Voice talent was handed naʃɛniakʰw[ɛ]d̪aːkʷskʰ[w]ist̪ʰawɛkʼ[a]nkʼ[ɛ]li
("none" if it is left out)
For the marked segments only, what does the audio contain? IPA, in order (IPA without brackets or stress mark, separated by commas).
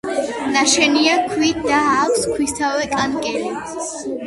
i, w, a, ɛ